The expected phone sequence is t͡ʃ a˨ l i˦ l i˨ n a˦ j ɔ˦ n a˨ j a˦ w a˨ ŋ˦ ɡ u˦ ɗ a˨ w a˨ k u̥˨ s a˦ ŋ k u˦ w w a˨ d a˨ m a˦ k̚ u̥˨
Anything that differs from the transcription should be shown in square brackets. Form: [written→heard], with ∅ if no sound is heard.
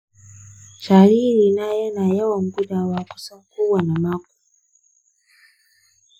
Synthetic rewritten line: t͡ʃ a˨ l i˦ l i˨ n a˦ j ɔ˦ n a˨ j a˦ w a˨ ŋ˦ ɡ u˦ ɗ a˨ w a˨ k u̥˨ s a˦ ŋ k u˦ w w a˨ [d→n] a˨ m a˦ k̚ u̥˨